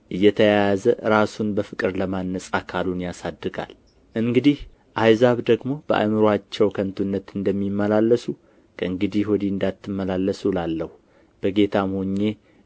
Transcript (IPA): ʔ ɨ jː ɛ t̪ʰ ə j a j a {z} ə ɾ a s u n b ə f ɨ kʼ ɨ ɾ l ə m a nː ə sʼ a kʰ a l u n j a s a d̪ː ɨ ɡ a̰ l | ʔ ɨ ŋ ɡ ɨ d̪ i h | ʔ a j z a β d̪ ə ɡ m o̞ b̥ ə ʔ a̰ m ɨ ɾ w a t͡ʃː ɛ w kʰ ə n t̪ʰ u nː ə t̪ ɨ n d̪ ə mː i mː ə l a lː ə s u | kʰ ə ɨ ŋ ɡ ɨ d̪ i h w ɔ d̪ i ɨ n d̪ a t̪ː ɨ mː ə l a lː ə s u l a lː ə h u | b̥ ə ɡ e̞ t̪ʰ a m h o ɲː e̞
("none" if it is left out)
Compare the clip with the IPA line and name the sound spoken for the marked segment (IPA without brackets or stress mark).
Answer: z